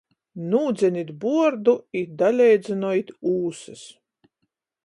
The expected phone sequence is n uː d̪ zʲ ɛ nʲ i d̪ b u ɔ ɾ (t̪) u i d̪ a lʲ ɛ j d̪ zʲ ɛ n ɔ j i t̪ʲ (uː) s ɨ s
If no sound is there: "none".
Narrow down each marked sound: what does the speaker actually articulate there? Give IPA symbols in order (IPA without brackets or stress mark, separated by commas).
d̪, uː